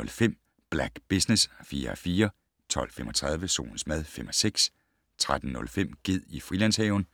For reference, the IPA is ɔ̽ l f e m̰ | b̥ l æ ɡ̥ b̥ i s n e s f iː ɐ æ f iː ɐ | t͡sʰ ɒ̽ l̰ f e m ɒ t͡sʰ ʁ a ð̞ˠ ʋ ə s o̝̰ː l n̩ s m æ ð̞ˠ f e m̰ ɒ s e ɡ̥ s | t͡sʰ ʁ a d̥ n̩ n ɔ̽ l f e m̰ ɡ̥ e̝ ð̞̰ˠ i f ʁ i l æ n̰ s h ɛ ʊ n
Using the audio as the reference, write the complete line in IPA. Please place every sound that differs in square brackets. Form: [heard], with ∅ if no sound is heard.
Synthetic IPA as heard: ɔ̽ l f e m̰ | b̥ l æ ɡ̥ b̥ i s n e s f iː ɐ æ f iː ɐ | t͡sʰ ɒ̽ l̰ f e m ɒ t͡sʰ ʁ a ð̞ˠ ʋ ə s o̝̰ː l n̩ s m æ ð̞ˠ f e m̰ ɒ s e ɡ̥ s | t͡sʰ ʁ a d̥ n̩ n ɔ̽ l f e m̰ ɡ̥ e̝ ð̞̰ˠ i f ʁ i l æ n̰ s h ɛ ʊ n